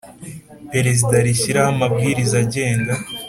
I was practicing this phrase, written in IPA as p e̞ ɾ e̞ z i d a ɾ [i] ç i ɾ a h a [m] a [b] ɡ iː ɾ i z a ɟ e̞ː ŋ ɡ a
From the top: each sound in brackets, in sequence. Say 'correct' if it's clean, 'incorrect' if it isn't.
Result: correct, correct, correct

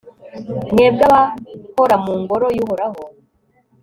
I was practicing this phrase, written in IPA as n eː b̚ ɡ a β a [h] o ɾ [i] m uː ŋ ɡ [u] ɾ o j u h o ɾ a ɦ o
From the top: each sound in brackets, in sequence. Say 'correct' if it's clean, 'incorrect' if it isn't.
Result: correct, incorrect: a, incorrect: o

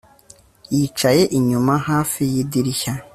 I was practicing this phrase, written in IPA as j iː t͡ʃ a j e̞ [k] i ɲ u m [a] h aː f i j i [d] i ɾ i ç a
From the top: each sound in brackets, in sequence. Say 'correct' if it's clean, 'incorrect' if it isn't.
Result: incorrect: ʔ, correct, correct

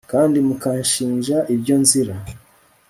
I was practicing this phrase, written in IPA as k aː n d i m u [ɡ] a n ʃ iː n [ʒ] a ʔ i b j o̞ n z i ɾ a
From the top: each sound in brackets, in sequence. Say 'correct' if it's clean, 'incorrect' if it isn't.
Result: incorrect: k, correct

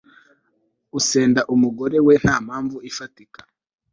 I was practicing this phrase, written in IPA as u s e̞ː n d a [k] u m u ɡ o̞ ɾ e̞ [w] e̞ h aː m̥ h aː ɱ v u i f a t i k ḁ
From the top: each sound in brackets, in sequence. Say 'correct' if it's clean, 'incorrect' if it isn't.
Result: incorrect: ʔ, correct

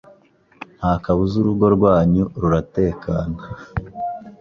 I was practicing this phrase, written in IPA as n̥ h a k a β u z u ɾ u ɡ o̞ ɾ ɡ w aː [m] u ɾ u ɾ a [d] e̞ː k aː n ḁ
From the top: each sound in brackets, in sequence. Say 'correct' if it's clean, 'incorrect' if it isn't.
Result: incorrect: ɲ, incorrect: t

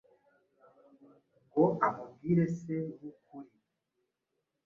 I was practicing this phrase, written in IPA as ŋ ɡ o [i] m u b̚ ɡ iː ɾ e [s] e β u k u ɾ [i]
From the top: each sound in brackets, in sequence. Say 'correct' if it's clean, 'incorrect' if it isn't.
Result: incorrect: a, correct, correct

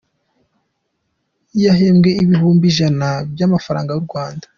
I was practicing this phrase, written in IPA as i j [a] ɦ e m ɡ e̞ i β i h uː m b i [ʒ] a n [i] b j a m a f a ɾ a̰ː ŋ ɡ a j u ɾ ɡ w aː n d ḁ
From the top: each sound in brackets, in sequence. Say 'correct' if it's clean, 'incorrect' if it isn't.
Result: correct, correct, incorrect: a

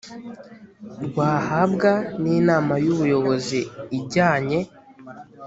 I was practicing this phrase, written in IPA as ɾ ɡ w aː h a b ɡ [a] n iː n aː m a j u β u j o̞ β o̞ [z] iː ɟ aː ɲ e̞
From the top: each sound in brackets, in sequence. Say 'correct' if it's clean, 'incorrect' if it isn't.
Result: correct, correct

